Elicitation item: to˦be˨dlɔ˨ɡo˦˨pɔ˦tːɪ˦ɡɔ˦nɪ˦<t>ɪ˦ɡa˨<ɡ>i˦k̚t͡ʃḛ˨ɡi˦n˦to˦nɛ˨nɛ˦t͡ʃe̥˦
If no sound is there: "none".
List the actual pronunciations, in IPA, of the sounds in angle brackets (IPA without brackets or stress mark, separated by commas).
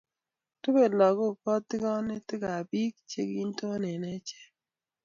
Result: t, b